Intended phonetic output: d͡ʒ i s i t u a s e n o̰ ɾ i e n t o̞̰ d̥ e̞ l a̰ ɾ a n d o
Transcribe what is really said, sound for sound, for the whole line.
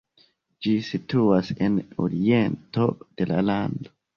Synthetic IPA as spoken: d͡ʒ i s i t u a s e n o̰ ɾ i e n t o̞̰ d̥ e̞ l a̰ l a n d o

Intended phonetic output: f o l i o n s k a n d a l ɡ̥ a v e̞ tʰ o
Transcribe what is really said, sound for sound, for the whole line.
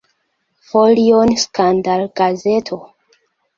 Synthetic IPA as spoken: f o l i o n s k a n d a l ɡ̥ a z e̞ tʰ o

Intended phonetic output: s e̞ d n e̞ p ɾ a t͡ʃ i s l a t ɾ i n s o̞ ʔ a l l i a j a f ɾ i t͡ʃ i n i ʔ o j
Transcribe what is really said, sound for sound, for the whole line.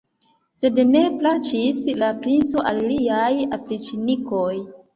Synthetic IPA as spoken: s e̞ d n e̞ p l a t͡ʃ i s l a p ɾ i n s o̞ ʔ a l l i a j a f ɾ i t͡ʃ i n i k o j

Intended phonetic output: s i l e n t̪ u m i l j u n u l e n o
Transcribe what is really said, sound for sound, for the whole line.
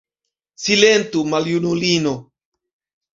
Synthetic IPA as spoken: s i l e n t̪ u m a l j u n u l i n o

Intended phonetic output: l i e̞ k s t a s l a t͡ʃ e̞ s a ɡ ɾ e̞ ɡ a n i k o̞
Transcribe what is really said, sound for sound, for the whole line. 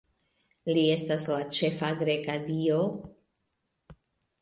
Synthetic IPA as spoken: l i e̞ s t a s l a t͡ʃ e̞ f a ɡ ɾ e̞ k a d i o̞

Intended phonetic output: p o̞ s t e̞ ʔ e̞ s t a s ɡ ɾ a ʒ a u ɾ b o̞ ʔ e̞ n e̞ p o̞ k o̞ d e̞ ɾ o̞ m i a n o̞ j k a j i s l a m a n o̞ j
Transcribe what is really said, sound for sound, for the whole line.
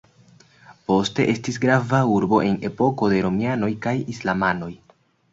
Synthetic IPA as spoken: p o̞ s t e̞ ʔ e̞ s t i s ɡ ɾ a v a u ɾ b o̞ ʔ e̞ n e̞ p o̞ k o̞ d e̞ ɾ o̞ m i a n o̞ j k a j i s l a m a n o̞ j

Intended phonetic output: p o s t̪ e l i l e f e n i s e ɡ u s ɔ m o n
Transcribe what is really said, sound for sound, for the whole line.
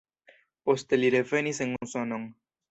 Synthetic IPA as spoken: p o s t̪ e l i ɾ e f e n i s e ŋ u s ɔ n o ŋ

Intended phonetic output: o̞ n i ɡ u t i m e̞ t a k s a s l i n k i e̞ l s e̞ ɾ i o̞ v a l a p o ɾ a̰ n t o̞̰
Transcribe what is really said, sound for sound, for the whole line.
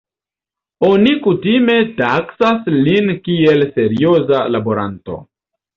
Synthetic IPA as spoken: o̞ n i k u t i m e̞ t a k s a s l i n k i e̞ l s e̞ ɾ i o̞ z a l a b o ɾ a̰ n t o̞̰

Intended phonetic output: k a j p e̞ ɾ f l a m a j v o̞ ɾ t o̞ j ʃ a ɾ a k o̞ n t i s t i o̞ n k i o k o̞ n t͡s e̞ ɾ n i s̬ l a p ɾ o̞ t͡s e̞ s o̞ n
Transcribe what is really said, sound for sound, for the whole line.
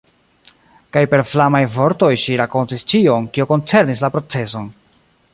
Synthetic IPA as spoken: k a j p e̞ ɾ f l a m a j v o̞ ɾ t o̞ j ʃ i ɾ a k o̞ n t i s t͡ʃ i o̞ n k i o k o̞ n t͡s e̞ ɾ n i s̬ l a p ɾ o̞ t͡s e̞ s o̞ n

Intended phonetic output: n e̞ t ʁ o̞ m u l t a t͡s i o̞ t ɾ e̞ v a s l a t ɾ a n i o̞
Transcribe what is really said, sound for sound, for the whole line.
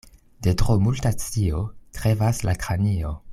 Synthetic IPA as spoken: d e̞ t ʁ o̞ m u l t a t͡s i o̞ t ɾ e̞ v a s l a k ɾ a n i o̞

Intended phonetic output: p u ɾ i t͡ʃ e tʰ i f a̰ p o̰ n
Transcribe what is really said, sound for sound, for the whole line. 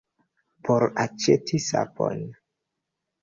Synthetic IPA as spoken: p o ɾ a t͡ʃ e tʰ i s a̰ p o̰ n

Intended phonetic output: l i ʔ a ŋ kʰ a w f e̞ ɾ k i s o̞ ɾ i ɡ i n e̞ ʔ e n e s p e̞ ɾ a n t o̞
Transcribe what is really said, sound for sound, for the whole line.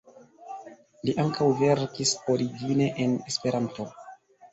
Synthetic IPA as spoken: l i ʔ a ŋ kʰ a w v e̞ ɾ k i s o̞ ɾ i ɡ i n e̞ ʔ e n e s p e̞ ɾ a n t o̞

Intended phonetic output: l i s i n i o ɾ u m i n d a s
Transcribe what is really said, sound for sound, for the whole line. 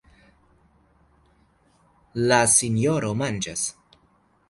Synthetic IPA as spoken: l a s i n j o ɾ o m a n d͡ʒ a s

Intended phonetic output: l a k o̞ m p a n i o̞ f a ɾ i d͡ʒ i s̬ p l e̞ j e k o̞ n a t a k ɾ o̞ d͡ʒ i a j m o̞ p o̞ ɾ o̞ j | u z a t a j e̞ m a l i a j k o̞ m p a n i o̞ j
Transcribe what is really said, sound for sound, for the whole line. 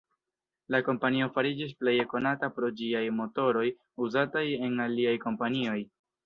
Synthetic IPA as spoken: l a k o̞ m p a n i o̞ f a ɾ i d͡ʒ i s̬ p l e̞ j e k o̞ n a t a p ɾ o̞ d͡ʒ i a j m o̞ t o̞ ɾ o̞ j | u z a t a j e̞ n a l i a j k o̞ m p a n i o̞ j

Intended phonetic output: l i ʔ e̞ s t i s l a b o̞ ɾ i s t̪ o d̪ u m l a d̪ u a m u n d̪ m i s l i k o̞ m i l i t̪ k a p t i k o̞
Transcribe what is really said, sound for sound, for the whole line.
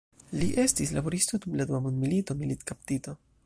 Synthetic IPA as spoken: l i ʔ e̞ s t i s l a b o̞ ɾ i s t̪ o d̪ u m l a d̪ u a m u n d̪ m i l i t o̞ m i l i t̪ k a p t i t o̞

